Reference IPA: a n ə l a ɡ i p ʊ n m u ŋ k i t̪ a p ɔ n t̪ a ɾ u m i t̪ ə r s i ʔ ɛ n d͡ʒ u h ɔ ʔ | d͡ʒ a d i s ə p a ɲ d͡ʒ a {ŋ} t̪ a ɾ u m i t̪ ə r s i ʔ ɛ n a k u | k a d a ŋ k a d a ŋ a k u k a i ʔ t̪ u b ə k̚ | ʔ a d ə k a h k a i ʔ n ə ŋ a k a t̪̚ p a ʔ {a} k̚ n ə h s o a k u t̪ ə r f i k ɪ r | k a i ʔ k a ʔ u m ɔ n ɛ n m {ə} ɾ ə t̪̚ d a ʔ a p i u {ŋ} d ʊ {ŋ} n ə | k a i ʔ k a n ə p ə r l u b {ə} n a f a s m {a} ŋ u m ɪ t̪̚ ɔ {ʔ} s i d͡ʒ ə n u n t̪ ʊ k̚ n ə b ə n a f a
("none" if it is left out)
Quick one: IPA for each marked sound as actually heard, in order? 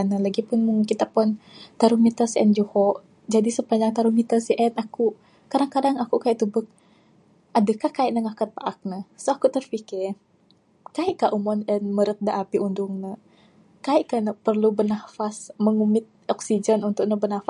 ŋ, a, ə, n, ŋ, ə, ə, k

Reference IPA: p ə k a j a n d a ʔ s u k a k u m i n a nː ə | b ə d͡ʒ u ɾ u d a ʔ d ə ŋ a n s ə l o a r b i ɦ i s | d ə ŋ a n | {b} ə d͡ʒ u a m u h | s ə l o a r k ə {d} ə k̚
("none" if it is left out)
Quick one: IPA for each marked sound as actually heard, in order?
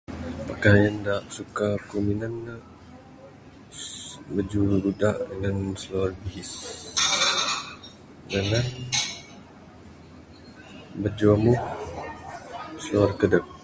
b, d

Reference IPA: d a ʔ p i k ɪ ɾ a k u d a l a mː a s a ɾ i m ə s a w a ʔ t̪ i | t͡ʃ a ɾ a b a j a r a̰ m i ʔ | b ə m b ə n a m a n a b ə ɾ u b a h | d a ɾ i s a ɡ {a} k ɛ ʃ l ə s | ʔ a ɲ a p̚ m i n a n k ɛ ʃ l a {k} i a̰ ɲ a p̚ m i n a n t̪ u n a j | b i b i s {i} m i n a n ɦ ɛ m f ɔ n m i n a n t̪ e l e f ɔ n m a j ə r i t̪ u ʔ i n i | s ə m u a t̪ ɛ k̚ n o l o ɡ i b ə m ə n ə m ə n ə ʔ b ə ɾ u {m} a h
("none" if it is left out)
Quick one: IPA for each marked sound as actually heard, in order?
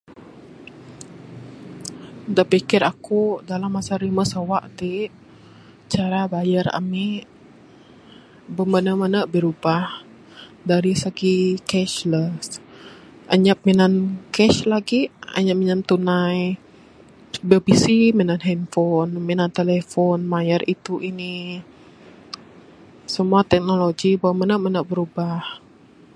i, ɡ, i, b

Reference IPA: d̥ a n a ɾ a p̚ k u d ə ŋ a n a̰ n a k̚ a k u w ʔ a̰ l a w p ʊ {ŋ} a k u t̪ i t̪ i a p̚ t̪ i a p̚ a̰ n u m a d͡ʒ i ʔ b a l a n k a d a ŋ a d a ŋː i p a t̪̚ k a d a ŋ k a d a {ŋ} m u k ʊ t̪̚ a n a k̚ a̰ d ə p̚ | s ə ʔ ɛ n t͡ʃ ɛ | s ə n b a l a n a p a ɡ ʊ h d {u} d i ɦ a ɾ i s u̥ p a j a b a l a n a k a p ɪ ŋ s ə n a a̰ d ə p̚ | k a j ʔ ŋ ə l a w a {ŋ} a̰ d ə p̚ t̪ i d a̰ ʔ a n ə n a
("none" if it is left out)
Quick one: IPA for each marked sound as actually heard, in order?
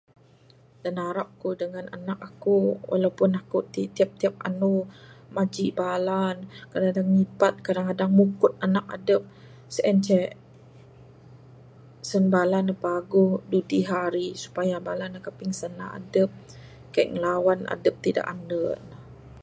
n, ŋ, u, n

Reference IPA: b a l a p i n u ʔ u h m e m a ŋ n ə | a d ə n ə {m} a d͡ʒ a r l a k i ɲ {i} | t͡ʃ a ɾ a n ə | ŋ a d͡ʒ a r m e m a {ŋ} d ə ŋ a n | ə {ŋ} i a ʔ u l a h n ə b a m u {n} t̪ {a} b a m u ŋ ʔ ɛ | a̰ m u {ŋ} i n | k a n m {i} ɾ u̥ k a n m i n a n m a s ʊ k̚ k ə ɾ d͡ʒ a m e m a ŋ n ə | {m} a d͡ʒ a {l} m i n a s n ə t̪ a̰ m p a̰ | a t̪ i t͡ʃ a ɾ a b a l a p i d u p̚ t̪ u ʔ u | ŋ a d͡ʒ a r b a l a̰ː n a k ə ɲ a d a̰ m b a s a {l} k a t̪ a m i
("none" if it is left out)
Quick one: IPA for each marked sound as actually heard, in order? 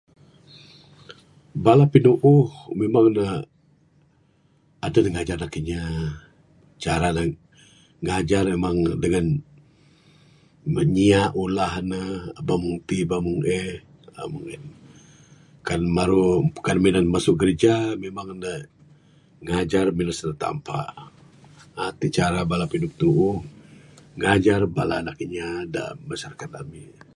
ŋ, a, ŋ, ɲ, ŋ, i, ŋ, a, ŋ, r, r

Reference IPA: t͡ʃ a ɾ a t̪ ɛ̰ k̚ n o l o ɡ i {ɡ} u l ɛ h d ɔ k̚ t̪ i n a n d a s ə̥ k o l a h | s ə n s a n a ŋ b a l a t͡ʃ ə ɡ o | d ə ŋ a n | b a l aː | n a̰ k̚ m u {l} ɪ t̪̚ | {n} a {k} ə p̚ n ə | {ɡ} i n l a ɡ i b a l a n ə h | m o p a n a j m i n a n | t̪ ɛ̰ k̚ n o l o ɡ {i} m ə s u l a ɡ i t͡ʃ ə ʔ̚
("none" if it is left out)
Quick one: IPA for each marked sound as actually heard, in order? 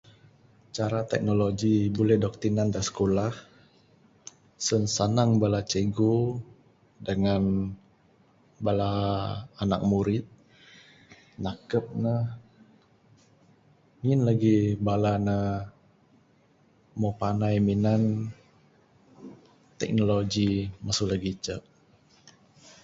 b, ɾ, n, k, ŋ, i

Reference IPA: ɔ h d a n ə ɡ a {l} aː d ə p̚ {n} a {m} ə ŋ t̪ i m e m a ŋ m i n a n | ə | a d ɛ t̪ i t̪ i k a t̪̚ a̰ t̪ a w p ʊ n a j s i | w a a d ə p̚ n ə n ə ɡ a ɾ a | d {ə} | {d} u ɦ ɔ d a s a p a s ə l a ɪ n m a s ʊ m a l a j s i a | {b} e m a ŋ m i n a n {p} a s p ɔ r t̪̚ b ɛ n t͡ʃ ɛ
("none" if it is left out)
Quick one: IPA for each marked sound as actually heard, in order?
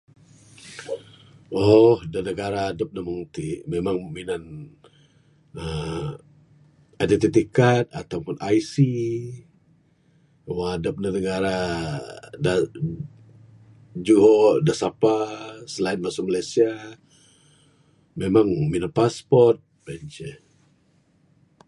ɾ, n, m, a, d͡ʒ, m, p

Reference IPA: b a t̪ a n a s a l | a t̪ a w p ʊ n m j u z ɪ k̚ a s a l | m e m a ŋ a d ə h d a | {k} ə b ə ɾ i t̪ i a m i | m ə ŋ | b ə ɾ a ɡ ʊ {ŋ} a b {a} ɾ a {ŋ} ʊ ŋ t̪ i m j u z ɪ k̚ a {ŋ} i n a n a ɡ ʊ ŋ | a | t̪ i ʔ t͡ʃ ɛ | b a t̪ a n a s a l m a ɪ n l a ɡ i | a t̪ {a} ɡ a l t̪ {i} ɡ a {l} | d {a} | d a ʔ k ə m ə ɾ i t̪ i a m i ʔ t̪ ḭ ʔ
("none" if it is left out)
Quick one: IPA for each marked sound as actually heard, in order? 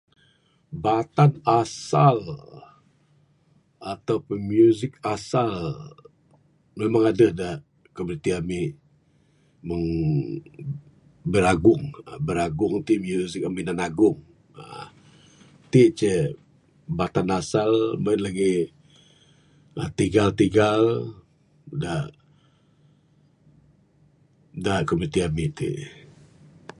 k, ŋ, ə, ɡ, m, i, i, l, a

